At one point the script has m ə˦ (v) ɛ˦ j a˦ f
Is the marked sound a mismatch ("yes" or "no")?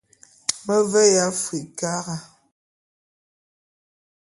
no